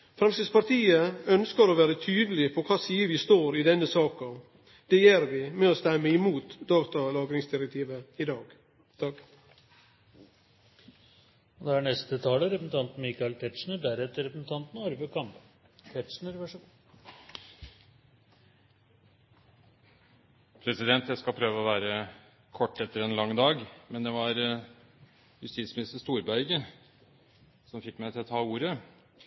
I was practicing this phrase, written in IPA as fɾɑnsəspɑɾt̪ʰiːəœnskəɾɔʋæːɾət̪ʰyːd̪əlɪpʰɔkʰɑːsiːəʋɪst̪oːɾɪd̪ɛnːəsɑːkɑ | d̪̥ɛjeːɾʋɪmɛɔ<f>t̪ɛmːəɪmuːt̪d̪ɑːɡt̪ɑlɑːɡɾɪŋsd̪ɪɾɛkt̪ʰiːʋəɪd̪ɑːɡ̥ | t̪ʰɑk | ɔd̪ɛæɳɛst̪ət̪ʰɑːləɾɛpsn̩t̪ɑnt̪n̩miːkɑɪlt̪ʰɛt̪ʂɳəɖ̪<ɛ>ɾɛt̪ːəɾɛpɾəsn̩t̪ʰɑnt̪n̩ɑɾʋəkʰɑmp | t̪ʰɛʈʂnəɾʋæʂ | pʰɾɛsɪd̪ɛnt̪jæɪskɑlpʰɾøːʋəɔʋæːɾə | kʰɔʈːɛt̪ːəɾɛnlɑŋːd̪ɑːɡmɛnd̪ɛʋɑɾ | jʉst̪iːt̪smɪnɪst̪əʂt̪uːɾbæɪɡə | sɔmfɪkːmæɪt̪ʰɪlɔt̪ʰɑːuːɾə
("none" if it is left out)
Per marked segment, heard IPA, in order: s, æ

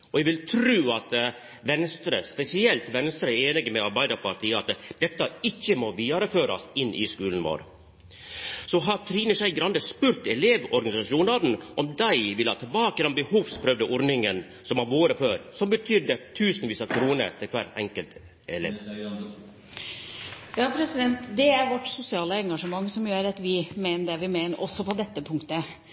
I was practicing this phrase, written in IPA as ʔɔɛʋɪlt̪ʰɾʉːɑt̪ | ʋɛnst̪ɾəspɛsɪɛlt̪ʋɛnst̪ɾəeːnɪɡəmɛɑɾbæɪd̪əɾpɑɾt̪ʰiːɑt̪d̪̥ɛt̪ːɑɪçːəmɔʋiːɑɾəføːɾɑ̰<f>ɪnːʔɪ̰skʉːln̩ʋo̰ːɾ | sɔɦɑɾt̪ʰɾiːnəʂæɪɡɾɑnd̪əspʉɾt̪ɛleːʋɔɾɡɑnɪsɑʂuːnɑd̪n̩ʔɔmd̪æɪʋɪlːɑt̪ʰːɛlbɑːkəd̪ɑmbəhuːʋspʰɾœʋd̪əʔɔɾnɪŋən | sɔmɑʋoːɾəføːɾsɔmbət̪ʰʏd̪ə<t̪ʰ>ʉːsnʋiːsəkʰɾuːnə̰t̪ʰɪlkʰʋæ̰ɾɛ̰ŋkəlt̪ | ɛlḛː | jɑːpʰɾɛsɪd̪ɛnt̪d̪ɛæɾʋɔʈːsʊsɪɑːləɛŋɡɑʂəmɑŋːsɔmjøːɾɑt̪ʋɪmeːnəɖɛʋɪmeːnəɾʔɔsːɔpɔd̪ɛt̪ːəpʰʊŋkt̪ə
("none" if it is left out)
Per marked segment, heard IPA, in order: s, t̪ʰ

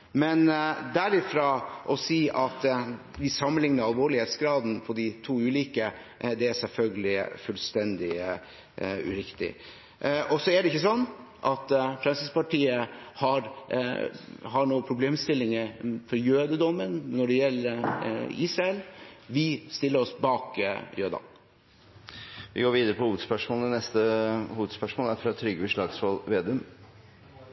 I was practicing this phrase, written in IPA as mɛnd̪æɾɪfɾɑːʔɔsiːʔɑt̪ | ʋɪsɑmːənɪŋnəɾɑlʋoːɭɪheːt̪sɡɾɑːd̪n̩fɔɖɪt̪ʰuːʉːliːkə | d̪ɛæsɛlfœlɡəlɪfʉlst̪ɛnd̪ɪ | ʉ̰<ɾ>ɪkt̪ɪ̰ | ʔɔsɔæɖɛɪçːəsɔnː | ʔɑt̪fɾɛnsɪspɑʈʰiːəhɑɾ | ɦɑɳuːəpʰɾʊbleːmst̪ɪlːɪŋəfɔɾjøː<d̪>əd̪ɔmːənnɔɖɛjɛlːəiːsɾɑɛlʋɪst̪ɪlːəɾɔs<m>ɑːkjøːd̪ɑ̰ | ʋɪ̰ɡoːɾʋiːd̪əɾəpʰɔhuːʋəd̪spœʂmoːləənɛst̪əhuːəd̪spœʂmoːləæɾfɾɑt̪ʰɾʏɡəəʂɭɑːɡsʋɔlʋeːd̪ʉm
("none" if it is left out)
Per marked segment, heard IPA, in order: ɾ, d̪, b

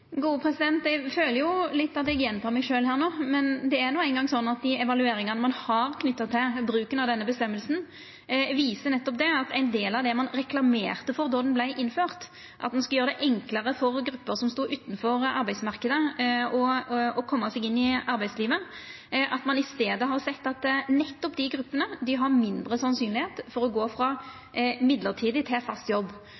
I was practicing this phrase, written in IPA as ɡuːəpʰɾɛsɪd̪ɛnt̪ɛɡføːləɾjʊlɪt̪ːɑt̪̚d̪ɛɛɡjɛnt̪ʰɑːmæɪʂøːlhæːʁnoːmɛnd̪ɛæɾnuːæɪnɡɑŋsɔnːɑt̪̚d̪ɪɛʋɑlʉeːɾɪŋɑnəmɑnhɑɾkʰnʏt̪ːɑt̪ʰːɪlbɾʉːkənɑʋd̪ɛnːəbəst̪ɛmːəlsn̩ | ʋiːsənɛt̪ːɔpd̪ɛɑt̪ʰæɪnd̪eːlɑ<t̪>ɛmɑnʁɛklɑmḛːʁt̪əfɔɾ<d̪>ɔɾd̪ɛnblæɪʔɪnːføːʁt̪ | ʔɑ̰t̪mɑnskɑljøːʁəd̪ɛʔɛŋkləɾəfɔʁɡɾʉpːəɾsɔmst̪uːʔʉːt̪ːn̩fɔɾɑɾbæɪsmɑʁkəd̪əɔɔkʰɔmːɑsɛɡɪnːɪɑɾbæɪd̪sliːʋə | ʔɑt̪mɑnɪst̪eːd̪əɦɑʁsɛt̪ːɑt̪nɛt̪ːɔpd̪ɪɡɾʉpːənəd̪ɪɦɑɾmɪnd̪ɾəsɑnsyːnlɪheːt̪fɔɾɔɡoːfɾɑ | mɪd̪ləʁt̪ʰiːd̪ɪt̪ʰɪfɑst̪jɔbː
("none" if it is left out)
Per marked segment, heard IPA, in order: d̪, d̪

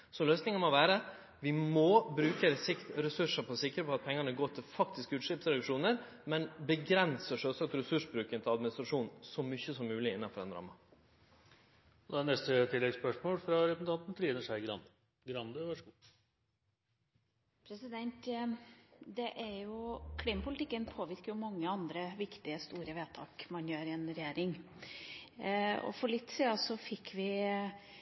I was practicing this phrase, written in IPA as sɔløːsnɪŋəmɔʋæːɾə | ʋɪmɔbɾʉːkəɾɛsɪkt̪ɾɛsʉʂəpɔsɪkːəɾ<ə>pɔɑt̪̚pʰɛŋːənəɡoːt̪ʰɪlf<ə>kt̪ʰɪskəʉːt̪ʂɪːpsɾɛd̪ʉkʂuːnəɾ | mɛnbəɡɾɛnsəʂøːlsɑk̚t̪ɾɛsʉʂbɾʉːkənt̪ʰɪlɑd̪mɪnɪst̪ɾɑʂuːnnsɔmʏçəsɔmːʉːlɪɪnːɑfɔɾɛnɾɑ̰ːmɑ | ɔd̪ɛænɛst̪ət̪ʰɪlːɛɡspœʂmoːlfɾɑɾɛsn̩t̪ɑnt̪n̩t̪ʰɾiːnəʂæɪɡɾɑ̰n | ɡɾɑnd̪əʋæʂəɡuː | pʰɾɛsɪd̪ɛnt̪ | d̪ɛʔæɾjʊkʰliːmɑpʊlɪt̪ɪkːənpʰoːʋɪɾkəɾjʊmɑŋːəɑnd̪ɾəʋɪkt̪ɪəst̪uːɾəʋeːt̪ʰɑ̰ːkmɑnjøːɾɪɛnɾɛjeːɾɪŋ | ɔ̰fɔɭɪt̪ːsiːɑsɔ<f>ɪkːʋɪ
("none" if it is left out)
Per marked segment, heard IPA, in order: ə, ɑ, f

